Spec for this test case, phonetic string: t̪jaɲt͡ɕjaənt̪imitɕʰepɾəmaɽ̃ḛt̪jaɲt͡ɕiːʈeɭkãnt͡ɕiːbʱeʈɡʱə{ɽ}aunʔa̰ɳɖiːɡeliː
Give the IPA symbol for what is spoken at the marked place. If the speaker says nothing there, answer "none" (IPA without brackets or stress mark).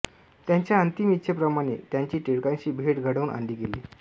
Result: ɽ